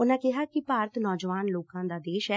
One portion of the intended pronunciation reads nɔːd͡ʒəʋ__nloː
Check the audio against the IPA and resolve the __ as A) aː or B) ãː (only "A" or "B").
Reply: A